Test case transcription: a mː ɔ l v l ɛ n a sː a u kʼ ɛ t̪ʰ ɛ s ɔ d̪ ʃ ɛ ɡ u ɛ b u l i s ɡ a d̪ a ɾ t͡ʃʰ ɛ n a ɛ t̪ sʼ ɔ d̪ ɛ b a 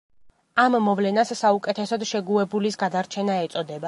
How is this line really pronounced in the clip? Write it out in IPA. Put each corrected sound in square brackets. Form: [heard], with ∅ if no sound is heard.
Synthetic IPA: a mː ɔ [∅] v l ɛ n a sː a u kʼ ɛ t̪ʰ ɛ s ɔ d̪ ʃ ɛ ɡ u ɛ b u l i s ɡ a d̪ a ɾ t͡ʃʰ ɛ n a ɛ t̪ sʼ ɔ d̪ ɛ b a